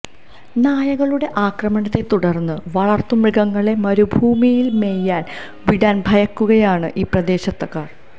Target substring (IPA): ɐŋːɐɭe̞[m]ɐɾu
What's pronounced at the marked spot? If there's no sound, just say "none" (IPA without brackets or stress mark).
m